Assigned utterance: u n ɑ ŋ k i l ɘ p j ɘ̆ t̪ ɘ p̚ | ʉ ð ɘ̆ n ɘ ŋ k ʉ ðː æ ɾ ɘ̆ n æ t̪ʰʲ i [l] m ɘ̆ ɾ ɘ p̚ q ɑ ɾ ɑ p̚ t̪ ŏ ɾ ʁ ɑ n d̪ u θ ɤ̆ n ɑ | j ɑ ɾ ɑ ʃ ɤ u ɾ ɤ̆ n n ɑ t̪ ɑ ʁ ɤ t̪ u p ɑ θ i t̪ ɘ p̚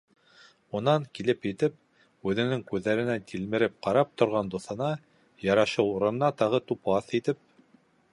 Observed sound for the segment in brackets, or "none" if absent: l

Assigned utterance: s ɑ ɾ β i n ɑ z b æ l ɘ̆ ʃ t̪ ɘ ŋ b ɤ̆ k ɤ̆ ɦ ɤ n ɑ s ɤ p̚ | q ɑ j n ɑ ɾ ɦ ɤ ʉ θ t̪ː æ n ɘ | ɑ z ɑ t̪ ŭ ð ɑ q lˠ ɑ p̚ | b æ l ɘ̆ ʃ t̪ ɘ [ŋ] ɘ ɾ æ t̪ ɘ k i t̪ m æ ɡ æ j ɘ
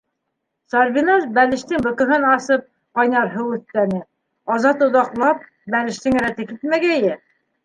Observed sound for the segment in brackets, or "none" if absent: ŋ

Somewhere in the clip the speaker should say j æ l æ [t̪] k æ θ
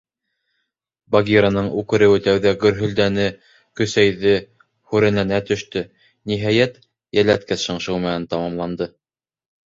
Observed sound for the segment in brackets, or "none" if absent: t̪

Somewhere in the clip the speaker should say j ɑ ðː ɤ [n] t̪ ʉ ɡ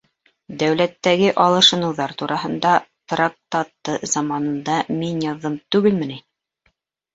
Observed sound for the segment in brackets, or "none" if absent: m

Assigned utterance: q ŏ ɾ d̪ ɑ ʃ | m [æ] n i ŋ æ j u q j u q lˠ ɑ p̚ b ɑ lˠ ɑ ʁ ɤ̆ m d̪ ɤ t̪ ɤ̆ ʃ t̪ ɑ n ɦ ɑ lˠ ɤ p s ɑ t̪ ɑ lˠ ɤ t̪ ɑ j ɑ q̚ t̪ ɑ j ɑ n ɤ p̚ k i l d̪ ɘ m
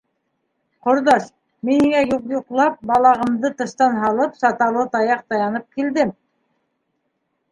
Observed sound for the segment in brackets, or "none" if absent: i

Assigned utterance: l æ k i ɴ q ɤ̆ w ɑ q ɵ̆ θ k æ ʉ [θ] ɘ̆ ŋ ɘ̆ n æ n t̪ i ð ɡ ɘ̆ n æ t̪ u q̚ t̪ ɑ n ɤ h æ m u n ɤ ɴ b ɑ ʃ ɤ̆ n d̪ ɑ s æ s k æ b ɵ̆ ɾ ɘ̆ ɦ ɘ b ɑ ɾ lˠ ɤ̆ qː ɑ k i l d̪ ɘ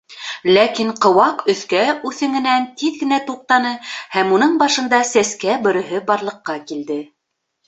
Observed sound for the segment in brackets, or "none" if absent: θ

